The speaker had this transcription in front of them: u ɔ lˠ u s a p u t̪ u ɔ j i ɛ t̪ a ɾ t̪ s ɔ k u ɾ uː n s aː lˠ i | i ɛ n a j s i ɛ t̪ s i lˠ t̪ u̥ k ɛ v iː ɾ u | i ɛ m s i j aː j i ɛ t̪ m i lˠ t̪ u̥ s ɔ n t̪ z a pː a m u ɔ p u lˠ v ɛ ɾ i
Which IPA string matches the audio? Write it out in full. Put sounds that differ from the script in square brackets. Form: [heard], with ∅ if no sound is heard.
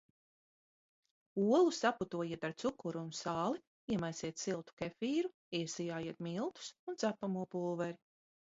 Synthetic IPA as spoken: u ɔ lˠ u s a p u t̪ u ɔ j i ɛ t̪ a ɾ t̪ s [u] k u ɾ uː n s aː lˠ i | i ɛ [m] a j s i ɛ t̪ s i lˠ t̪ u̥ k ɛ [f] iː ɾ u | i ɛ [∅] s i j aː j i ɛ t̪ m i lˠ t̪ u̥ s [u] n t̪ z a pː a m u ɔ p u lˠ v ɛ ɾ i

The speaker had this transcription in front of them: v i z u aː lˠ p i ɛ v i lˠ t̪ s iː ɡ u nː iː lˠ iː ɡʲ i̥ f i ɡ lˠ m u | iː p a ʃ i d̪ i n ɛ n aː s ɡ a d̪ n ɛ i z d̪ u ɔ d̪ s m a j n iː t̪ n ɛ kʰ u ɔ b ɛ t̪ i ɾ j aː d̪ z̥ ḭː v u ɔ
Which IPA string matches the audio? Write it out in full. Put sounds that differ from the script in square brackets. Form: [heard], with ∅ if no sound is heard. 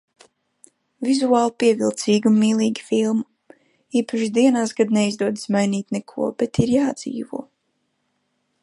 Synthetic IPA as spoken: v i z u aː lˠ p i ɛ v i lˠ t̪ s iː ɡ u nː iː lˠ iː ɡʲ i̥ f i [∅] lˠ m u | iː p a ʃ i d̪ i [∅] ɛ n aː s ɡ a d̪ n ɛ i z d̪ u ɔ d̪ s m a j n iː t̪ n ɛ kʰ u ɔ b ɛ t̪ i ɾ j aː d̪ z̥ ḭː v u ɔ

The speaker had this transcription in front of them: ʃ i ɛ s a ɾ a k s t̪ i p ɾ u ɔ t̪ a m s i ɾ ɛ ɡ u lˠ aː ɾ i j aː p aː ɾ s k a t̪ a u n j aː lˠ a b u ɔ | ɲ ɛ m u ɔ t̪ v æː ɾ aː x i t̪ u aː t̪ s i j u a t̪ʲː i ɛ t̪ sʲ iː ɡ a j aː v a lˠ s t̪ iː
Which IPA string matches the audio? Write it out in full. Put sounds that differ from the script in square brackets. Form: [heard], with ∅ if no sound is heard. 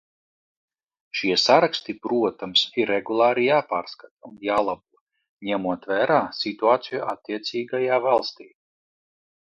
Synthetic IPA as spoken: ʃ i ɛ s a ɾ a k s t̪ i p ɾ u ɔ t̪ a m s i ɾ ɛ ɡ u lˠ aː ɾ i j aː p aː ɾ s k a t̪ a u n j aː lˠ a b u ɔ | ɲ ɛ m u ɔ t̪ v æː ɾ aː [s] i t̪ u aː t̪ s i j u a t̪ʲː i ɛ t̪ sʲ iː ɡ a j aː v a lˠ s t̪ iː

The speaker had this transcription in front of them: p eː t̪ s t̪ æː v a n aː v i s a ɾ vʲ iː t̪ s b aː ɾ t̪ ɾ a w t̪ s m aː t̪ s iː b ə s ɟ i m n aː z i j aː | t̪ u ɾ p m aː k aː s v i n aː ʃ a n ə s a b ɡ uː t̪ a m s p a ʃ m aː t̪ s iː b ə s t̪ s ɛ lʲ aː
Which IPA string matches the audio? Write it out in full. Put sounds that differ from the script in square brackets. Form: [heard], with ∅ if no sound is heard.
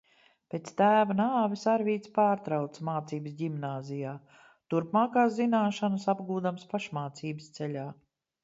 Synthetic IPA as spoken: p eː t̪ s t̪ æː v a n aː v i s a ɾ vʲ iː t̪ s [p] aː ɾ t̪ ɾ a w t̪ s m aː t̪ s iː b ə s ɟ i m n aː z i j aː | t̪ u ɾ p m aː k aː s [z] i n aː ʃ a n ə s a b ɡ uː [d̪] a m s p a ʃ m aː t̪ s iː b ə s t̪ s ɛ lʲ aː

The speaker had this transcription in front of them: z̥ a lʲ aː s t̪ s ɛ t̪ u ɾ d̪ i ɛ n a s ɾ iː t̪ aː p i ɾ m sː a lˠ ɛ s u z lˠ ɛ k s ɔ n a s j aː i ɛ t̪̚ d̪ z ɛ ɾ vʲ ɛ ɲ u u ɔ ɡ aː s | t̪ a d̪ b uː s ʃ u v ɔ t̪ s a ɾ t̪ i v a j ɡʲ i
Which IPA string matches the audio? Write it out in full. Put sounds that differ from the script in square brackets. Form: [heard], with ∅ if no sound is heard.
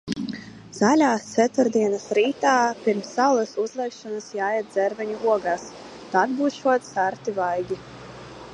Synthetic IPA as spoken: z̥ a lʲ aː s t̪ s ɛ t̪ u ɾ d̪ i ɛ n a s ɾ iː t̪ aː p i ɾ m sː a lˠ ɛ s u z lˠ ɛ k [ʃ] ɔ n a s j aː [j] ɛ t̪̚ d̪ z ɛ ɾ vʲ ɛ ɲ u u ɔ ɡ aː s | t̪ a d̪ b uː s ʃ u [∅] ɔ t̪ s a ɾ t̪ i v a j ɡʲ i

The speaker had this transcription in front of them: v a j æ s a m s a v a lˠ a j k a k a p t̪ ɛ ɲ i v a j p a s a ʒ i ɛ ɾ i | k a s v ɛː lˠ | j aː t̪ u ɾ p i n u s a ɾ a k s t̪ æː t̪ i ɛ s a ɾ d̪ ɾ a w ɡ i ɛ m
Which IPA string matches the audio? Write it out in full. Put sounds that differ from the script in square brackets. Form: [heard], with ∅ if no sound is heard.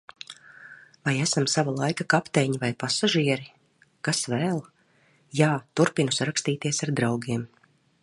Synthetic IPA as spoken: v a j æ s a m s a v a lˠ a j k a k a p t̪ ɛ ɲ i v a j p a s a ʒ i ɛ ɾ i | k a s v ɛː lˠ | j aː t̪ u ɾ p i n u s a ɾ a k s t̪ [iː] t̪ i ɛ s a ɾ d̪ ɾ a w ɡ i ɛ m

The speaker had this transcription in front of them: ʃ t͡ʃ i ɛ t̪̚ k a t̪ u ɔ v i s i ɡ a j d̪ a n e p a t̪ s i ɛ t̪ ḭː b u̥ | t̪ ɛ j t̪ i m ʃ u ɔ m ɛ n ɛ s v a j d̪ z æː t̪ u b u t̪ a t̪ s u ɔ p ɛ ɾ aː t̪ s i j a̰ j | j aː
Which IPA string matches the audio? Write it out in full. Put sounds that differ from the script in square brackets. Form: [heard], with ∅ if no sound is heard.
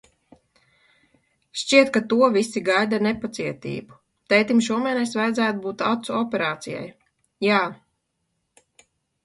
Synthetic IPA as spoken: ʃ t͡ʃ i ɛ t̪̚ k a t̪ u ɔ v i s i ɡ a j d̪ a n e p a t̪ s i ɛ t̪ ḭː b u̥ | t̪ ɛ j t̪ i m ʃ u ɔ m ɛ n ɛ s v a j d̪ z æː t̪ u b [uː] t̪ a t̪ s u ɔ p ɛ ɾ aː t̪ s i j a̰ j | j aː

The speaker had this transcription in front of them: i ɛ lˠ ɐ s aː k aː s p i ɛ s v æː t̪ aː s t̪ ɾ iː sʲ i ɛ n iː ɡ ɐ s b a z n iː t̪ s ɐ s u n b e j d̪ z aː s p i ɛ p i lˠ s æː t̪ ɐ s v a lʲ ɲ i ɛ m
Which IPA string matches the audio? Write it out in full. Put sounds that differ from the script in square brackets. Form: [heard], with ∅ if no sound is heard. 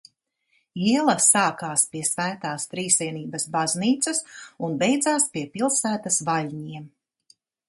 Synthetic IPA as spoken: i ɛ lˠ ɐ s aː k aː s p i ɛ s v æː t̪ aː s t̪ ɾ iː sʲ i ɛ n iː [b] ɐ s b a z n iː t̪ s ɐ s u n b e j d̪ z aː s p i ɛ p i lˠ s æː t̪ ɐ s v a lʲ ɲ i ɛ m

